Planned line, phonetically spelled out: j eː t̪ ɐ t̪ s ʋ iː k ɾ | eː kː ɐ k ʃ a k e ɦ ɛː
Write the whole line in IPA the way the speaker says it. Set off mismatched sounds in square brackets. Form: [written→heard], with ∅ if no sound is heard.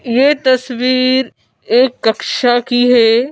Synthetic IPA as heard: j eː t̪ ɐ [t̪→∅] s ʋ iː [k→∅] ɾ | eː kː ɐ k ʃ a k [e→i] ɦ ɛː